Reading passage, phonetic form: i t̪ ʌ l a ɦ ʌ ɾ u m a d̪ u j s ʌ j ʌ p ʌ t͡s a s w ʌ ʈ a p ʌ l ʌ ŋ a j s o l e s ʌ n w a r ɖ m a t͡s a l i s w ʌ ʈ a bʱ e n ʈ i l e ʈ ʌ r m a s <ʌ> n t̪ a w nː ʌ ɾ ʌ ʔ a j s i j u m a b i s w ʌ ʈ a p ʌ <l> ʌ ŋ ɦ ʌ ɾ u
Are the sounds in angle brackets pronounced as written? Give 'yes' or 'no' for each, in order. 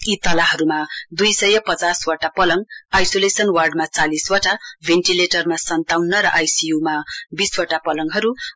yes, yes

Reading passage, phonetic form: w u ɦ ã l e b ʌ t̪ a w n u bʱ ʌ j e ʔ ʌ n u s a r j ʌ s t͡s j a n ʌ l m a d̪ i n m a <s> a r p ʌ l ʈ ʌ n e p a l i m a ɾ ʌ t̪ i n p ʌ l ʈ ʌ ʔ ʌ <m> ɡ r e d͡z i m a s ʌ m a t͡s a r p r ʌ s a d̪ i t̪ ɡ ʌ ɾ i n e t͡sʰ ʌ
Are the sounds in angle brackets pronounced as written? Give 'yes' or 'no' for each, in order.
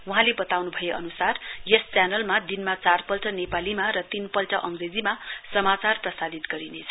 no, no

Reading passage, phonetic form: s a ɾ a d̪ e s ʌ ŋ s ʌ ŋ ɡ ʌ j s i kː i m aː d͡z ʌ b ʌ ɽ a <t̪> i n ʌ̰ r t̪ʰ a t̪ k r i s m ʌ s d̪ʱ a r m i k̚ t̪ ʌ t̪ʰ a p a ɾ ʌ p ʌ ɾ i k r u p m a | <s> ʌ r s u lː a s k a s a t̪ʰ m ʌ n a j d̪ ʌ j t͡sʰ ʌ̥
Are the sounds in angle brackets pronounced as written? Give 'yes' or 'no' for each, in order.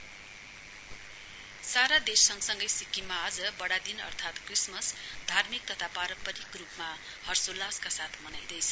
no, no

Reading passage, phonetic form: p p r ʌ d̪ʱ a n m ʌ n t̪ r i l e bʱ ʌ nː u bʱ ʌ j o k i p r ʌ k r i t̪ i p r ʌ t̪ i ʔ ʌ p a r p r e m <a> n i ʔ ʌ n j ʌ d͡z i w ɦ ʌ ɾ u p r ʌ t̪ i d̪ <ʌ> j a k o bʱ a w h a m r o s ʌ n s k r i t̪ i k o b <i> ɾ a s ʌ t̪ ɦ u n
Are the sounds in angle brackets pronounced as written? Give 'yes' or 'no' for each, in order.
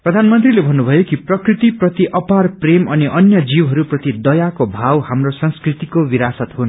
no, yes, yes

